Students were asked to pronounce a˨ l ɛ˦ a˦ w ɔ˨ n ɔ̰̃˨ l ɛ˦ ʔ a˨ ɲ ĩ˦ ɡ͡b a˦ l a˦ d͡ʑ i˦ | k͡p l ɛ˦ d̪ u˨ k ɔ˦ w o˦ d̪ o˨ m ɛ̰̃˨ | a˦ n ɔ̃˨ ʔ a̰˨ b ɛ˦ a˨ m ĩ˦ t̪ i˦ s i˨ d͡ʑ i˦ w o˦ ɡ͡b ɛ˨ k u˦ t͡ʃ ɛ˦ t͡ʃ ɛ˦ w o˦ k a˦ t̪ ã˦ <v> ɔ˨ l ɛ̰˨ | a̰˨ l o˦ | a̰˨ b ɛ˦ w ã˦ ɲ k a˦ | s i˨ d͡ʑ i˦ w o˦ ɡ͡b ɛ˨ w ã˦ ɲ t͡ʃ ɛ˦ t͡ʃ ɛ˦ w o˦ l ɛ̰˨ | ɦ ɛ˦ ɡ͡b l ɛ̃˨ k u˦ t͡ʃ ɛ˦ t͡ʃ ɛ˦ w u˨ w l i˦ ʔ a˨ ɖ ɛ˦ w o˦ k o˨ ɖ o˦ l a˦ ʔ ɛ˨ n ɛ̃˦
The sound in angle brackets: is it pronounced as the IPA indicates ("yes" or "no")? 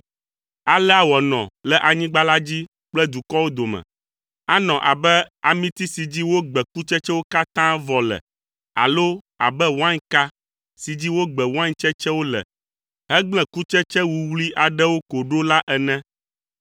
yes